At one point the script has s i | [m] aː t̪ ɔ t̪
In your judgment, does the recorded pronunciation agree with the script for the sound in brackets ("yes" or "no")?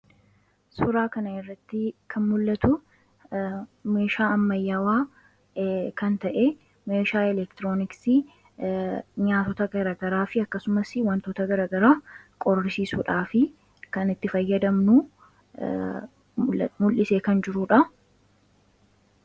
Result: no